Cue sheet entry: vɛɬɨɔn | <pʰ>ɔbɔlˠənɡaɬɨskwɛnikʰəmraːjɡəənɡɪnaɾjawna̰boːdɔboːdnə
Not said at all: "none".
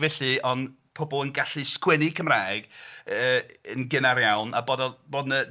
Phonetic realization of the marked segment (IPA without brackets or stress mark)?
pʰ